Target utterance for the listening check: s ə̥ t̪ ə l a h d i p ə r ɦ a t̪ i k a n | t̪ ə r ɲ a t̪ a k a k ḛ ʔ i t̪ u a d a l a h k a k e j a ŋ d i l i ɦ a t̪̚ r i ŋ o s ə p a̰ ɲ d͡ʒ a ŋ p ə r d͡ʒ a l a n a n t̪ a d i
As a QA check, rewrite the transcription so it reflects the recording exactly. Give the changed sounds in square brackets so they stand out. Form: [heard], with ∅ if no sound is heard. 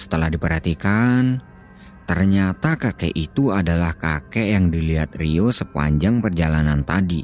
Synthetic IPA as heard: s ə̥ t̪ ə l a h d i p ə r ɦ a t̪ i k a n | t̪ ə r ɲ a t̪ a k a k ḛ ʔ i t̪ u a d a l a h k a k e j a ŋ d i l i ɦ a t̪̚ r i [∅] o s ə p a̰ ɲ d͡ʒ a ŋ p ə r d͡ʒ a l a n a n t̪ a d i